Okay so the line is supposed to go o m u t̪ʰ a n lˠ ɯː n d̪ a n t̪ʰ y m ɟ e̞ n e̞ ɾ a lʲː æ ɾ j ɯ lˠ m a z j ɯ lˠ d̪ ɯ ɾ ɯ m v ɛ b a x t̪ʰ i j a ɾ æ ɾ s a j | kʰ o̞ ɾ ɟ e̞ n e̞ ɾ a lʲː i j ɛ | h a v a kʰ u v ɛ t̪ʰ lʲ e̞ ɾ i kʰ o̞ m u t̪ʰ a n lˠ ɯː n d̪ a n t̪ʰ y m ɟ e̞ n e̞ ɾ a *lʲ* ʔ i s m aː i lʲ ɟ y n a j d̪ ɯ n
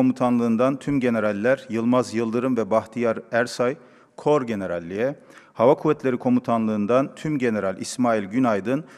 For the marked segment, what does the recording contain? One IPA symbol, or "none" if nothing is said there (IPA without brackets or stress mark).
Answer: lʲ